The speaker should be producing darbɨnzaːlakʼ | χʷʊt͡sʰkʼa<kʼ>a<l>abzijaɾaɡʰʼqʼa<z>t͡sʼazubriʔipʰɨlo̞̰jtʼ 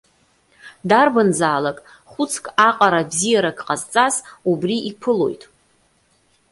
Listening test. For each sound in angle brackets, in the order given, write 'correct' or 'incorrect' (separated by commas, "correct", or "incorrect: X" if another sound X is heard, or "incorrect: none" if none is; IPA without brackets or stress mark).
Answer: incorrect: qʼ, incorrect: ɾ, correct